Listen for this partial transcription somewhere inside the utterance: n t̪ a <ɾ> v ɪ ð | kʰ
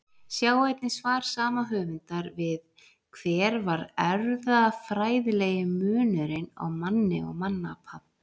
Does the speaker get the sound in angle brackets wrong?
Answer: no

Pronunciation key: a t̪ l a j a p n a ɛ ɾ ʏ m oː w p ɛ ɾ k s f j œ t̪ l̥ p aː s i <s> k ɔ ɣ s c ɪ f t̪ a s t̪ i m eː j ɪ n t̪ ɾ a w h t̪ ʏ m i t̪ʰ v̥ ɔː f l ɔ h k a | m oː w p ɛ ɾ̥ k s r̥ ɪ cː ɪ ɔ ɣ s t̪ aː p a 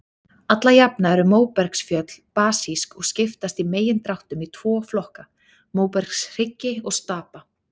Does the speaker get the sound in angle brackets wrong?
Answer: no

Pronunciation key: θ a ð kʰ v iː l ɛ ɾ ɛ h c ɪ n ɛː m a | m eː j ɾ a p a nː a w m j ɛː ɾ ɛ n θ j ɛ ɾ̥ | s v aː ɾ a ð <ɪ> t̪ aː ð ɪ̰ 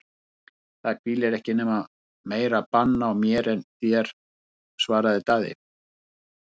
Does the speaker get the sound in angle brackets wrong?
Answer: no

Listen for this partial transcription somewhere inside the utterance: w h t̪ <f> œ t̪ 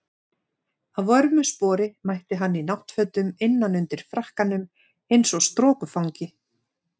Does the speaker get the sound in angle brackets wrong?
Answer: no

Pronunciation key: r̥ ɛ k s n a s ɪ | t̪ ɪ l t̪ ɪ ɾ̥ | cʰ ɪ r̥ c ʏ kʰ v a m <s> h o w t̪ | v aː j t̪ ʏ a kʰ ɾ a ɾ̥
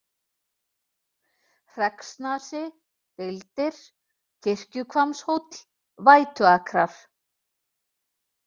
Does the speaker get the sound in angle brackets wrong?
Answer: no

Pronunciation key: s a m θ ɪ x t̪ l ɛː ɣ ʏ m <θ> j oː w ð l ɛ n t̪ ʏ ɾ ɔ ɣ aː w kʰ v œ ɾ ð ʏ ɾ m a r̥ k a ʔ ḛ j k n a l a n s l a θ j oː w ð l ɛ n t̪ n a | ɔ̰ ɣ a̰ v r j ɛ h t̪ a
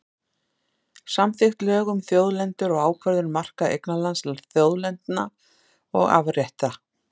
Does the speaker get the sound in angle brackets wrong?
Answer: no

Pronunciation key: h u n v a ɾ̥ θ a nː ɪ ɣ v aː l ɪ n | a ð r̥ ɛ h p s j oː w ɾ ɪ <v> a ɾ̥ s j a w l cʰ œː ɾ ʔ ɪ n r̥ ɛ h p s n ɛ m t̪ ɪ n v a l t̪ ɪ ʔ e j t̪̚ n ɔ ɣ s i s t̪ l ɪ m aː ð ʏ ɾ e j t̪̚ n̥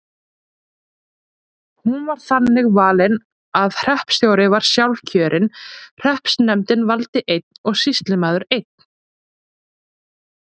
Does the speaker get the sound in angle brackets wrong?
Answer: no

